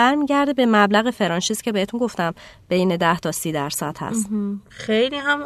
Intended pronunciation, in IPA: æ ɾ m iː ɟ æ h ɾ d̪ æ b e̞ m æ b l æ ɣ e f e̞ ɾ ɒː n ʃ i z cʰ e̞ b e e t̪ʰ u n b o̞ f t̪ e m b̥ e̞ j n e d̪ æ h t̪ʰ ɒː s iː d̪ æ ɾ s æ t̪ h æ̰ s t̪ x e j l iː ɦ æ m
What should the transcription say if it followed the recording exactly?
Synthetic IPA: æ ɾ m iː ɟ æ ɾ d̪ e b e̞ m æ b l æ ɣ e f e̞ ɾ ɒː n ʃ i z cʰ e̞ b e e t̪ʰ u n ɡ o̞ f t̪ æ m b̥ e̞ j n e d̪ æ h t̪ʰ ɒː s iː d̪ æ ɾ s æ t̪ h æ̰ s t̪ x e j l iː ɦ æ m